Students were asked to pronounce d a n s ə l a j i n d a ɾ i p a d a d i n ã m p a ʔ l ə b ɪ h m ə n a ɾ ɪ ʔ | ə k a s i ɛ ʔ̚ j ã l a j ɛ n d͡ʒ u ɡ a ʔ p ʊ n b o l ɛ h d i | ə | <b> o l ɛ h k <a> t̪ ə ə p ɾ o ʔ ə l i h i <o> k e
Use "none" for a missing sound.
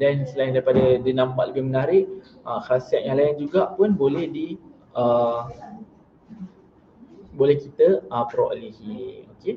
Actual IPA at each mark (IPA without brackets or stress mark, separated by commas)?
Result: b, i, o